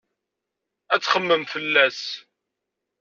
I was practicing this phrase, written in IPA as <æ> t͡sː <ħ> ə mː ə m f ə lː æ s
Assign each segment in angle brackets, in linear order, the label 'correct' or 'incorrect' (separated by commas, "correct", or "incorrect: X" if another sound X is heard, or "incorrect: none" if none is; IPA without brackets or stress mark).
correct, incorrect: χ